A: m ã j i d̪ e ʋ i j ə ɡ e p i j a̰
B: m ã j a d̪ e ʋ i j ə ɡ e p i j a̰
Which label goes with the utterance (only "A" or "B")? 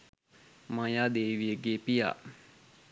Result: B